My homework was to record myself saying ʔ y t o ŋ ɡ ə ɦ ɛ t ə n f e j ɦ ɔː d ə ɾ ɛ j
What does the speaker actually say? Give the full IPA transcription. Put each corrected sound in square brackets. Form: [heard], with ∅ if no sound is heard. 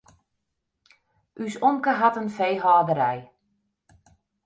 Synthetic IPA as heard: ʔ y [s] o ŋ [k] ə ɦ [a] t ə n f e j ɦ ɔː d ə ɾ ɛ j